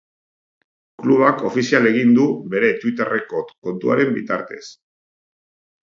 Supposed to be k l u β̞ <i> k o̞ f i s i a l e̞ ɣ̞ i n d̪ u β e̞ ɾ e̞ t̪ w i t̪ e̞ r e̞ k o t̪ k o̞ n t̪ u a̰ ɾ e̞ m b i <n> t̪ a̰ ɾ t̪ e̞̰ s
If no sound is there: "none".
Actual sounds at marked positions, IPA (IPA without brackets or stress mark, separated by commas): a, none